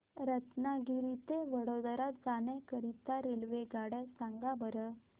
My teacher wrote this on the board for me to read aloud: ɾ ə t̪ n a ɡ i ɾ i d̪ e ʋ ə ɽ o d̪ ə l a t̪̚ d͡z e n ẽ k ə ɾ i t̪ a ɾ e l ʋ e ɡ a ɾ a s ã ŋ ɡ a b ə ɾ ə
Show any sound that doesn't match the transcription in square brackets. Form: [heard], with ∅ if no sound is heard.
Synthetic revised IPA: ɾ ə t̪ n a ɡ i ɾ i [t̪] e ʋ ə ɽ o d̪ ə [ɾ] a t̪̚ d͡z [a] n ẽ k ə ɾ i t̪ a ɾ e l ʋ e ɡ a [ɽ] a s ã ŋ ɡ a b ə ɾ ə